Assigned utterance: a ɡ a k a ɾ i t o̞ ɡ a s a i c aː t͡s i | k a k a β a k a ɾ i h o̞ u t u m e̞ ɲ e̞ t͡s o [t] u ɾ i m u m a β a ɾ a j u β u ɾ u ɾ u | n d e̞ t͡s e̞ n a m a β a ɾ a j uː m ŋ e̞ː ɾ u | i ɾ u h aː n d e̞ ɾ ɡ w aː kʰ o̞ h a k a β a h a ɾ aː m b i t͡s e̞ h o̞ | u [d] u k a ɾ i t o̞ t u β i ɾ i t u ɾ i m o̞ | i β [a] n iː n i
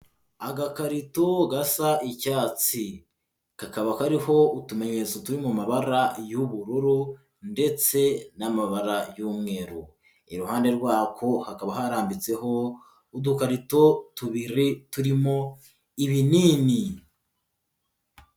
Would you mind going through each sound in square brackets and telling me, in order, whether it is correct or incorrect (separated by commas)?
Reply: correct, correct, incorrect